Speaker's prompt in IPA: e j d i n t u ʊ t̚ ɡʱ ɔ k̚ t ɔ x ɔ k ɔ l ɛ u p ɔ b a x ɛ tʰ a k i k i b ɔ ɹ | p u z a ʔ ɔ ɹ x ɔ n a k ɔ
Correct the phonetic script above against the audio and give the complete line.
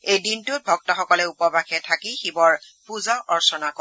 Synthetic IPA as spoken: e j d i n t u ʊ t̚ bʱ ɔ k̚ t ɔ x ɔ k ɔ l ɛ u p ɔ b a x ɛ tʰ a k i x i b ɔ ɹ | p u z a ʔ ɔ ɹ s ɔ n a k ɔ